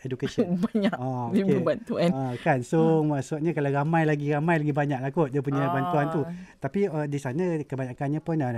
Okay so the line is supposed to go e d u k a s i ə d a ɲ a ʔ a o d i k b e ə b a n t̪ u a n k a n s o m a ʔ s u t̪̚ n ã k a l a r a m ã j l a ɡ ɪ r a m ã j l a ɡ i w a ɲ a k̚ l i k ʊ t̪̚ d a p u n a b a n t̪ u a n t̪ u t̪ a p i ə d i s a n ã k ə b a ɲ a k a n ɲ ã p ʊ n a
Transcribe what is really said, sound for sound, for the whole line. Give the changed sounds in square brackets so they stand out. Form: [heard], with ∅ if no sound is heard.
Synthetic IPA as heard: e d u k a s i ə [b] a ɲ a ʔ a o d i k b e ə b a n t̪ u a n k a n s o m a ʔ s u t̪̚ [ɲ] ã k a l a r a m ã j l a ɡ [i] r a m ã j l a ɡ i [b] a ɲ a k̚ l [a] k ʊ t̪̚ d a p u [ɲ] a b a n t̪ u a n t̪ u t̪ a p i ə d i s a n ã k ə b a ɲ a k a n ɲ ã p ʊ n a